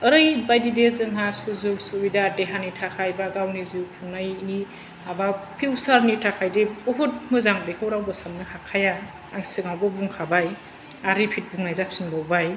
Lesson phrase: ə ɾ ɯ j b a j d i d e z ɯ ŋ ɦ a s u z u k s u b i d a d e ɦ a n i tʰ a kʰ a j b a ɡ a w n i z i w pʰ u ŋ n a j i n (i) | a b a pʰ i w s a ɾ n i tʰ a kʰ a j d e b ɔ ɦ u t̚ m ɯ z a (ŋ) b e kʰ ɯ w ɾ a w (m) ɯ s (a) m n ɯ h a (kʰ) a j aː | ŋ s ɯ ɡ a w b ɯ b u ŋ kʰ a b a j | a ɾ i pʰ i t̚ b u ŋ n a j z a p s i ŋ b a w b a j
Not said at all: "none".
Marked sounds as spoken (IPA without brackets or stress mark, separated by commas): i, ŋ, b, a, kʰ